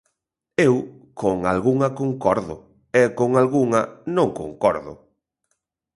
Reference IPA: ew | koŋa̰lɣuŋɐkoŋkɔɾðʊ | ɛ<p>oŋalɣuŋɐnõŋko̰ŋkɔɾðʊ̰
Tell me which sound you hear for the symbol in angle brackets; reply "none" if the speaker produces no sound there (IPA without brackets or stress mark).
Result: k